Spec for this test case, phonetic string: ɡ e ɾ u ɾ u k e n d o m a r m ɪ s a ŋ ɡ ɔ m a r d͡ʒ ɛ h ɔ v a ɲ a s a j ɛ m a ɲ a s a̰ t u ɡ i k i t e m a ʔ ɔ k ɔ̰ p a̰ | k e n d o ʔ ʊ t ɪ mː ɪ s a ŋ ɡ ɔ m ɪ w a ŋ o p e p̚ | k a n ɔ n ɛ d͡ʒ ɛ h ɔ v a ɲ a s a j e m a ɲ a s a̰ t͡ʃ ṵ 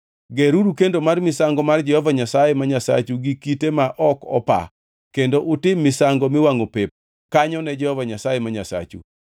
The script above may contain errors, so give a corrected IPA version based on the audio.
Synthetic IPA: ɡ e ɾ u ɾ u k e n d o m a r m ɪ s a ŋ ɡ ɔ m a r d͡ʒ ɛ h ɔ v a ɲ a s a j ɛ m a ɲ a s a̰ t͡ʃ u ɡ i k i t e m a ʔ ɔ k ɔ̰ p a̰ | k e n d o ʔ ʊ t ɪ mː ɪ s a ŋ ɡ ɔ m ɪ w a ŋ o p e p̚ | k a ɲ ɔ n ɛ d͡ʒ ɛ h ɔ v a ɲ a s a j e m a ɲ a s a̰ t͡ʃ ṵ

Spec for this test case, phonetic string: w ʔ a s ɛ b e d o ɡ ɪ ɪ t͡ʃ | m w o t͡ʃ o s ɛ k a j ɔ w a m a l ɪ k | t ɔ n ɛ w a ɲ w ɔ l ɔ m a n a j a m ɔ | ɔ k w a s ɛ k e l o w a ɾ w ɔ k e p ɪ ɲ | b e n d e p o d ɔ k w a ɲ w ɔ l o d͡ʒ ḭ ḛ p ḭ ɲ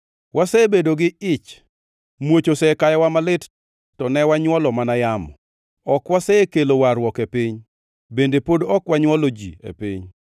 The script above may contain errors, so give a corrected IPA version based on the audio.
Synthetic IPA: w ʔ a s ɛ b e d o ɡ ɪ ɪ t͡ʃ | m w o t͡ʃ o s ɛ k a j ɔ w a m a l ɪ t | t ɔ n ɛ w a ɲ w ɔ l ɔ m a n a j a m ɔ | ɔ k w a s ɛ k e l o w a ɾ w ɔ k e p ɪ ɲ | b e n d e p o d ɔ k w a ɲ w ɔ l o d͡ʒ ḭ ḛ p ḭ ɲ

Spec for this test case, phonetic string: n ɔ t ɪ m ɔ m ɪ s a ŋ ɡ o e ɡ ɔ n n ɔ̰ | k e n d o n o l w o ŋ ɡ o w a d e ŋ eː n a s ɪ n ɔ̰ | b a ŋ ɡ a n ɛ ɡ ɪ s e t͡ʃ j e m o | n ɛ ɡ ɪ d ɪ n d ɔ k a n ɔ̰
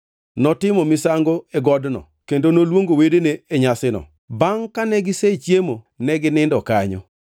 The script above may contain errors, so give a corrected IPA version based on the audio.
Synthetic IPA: n ɔ t ɪ m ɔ m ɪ s a ŋ ɡ o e ɡ ɔ d n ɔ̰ | k e n d o n o l w o ŋ ɡ o w e d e n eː ɲ a s ɪ n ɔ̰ | b a ŋ k a n ɛ ɡ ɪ s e t͡ʃ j e m o | n ɛ ɡ ɪ n ɪ n d ɔ k a ɲ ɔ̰

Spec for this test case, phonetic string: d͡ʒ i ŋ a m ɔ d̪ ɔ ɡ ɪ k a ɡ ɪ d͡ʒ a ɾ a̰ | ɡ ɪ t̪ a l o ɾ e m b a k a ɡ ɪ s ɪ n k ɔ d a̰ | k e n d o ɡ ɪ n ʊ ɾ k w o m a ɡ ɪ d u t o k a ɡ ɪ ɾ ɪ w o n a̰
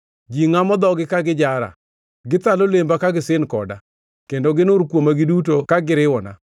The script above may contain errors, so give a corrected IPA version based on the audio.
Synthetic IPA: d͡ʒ i ŋ a m ɔ d̪ ɔ ɡ ɪ k a ɡ ɪ d͡ʒ a ɾ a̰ | ɡ ɪ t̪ a l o l e m b a k a ɡ ɪ s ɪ n k ɔ d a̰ | k e n d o ɡ ɪ n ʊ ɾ k w o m a ɡ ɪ d u t o k a ɡ ɪ ɾ ɪ w ɔ n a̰

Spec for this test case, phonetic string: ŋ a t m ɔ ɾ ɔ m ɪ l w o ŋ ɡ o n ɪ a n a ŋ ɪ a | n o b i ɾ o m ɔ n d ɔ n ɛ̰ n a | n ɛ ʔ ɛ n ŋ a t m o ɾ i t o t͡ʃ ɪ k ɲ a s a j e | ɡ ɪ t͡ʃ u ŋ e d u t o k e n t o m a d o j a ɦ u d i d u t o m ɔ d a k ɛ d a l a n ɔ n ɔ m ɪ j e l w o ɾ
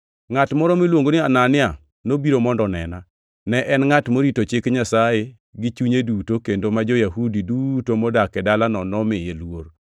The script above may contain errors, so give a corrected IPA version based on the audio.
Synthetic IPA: ŋ a t m ɔ ɾ ɔ m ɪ l w o ŋ ɡ o n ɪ a n a n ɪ a | n o b i ɾ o m ɔ n d ɔ n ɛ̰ n a | n ɛ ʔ ɛ n ŋ a t m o ɾ i t o t͡ʃ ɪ k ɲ a s a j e | ɡ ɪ t͡ʃ u ɲ e d u t o k e n d o m a d͡ʒ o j a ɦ u d i d u t o m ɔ d a k ɛ d a l a n ɔ n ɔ m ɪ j e l w o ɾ

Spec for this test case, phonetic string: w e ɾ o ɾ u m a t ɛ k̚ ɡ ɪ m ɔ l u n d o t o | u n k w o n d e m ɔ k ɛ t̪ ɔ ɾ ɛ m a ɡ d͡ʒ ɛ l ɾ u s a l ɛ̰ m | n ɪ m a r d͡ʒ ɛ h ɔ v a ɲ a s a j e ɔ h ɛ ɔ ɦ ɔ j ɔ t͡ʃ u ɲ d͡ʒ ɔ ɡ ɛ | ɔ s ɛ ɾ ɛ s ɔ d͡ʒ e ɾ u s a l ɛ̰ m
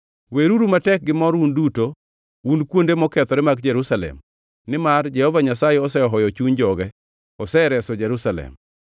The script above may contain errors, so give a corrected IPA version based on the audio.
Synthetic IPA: w e ɾ u ɾ u m a t ɛ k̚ ɡ ɪ m ɔ ɾ u n d u t o | u n k w o n d e m ɔ k ɛ t̪ ɔ ɾ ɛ m a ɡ d͡ʒ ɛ ɾ u s a l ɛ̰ m | n ɪ m a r d͡ʒ ɛ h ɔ v a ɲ a s a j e ɔ s ɛ ɔ ɦ ɔ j ɔ t͡ʃ u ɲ d͡ʒ ɔ ɡ ɛ | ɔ s ɛ ɾ ɛ s ɔ d͡ʒ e ɾ u s a l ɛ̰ m

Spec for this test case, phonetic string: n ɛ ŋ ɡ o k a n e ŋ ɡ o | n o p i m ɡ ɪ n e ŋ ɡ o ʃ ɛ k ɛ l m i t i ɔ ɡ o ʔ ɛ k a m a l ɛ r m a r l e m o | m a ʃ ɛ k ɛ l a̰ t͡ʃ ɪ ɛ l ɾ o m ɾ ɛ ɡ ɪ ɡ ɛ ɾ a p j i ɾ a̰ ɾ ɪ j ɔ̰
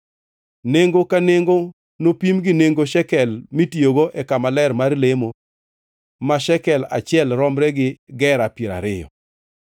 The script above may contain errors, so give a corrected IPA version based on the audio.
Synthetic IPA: n e ŋ ɡ o k a n e ŋ ɡ o | n o p i m ɡ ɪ n e ŋ ɡ o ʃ ɛ k ɛ l m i t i o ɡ o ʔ ɛ k a m a l ɛ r m a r l e m o | m a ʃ ɛ k ɛ l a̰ t͡ʃ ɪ ɛ l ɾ ɔ m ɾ ɛ ɡ ɪ ɡ ɛ ɾ a p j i ɾ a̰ ɾ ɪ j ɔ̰

